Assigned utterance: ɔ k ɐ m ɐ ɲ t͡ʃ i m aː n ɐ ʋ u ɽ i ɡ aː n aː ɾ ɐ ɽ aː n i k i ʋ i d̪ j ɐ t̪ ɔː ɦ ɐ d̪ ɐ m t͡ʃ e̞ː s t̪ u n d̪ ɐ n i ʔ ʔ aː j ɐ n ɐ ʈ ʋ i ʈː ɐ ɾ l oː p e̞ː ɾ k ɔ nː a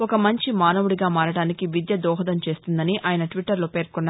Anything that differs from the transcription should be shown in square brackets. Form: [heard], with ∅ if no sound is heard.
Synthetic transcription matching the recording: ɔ k ɐ m ɐ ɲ t͡ʃ i m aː n ɐ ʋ u ɽ i ɡ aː [m] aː ɾ ɐ ɽ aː n i k i ʋ i d̪ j ɐ [d̪] ɔː ɦ ɐ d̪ ɐ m t͡ʃ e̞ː s t̪ u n d̪ ɐ n i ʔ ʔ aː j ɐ n ɐ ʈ ʋ i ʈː ɐ ɾ l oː p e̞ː ɾ k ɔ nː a